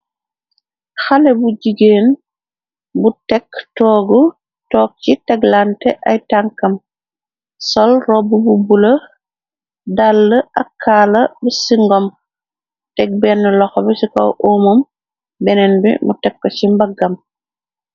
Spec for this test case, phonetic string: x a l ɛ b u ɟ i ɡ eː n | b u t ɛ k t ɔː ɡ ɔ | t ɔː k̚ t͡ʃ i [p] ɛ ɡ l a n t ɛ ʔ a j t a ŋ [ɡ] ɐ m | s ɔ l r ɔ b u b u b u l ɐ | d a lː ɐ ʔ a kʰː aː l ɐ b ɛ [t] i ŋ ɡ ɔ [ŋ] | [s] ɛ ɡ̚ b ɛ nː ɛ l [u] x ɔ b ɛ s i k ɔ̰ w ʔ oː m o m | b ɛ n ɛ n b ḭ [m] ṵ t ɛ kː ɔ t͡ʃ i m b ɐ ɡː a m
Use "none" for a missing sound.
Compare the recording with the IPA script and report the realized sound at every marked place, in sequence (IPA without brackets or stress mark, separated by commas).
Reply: t, k, s, m, t, ɔ, m